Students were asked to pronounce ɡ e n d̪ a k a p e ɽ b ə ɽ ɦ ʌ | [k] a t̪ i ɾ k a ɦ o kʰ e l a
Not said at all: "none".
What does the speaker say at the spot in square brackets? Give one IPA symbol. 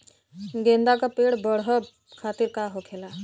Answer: kʰ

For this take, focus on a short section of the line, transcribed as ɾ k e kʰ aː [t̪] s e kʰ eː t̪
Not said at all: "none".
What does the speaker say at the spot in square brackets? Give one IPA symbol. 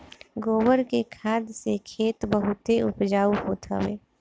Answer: d̪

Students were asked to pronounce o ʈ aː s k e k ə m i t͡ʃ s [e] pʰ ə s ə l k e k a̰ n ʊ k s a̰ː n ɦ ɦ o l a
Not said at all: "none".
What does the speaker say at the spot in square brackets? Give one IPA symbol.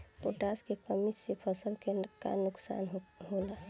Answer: e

